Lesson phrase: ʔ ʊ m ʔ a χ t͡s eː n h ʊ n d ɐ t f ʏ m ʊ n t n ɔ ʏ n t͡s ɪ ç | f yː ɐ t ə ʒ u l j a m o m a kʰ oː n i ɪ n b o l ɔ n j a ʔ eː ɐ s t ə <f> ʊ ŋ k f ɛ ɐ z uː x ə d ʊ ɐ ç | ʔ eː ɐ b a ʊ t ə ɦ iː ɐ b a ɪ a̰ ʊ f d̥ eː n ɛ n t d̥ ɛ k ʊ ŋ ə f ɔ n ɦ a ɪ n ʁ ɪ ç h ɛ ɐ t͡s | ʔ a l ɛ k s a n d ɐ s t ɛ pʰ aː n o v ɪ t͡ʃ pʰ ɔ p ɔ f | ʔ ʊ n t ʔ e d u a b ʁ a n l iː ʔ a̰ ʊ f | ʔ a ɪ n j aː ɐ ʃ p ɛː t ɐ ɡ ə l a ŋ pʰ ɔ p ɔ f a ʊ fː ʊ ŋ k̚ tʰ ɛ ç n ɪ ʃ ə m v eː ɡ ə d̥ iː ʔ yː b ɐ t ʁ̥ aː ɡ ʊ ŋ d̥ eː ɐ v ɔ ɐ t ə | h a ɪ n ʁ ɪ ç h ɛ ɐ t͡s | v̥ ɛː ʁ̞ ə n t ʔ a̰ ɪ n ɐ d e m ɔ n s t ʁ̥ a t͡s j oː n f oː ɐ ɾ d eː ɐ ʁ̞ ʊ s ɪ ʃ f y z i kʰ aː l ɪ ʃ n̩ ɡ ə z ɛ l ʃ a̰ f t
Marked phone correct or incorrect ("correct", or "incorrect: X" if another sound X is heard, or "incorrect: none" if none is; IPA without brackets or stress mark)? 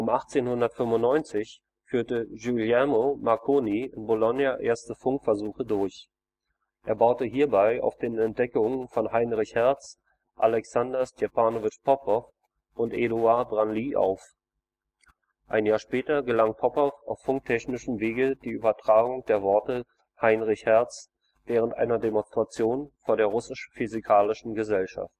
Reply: correct